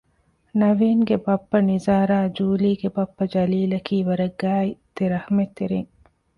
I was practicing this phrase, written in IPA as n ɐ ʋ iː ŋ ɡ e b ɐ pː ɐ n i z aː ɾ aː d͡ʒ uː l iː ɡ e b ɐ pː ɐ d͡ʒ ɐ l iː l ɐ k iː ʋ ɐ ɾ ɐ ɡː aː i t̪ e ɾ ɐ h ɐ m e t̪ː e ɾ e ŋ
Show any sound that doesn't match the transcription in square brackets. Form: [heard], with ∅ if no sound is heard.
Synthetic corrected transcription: n ɐ ʋ iː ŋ ɡ e b ɐ pː ɐ n i z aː ɾ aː d͡ʒ uː l iː ɡ e b ɐ pː ɐ d͡ʒ ɐ l iː l ɐ k iː ʋ ɐ ɾ ɐ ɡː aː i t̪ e ɾ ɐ h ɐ m e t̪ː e ɾ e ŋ